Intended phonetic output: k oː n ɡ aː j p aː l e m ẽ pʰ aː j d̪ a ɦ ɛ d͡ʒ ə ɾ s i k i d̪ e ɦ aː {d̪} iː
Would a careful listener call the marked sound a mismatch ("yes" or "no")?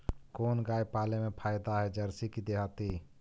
yes